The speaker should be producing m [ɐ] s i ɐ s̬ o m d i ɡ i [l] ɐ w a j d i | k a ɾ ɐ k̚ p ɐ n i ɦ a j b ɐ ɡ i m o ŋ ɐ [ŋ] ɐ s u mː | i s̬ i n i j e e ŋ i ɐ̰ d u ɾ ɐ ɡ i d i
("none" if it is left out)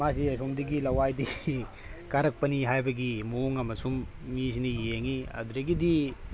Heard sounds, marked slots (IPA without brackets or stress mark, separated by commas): a, l, m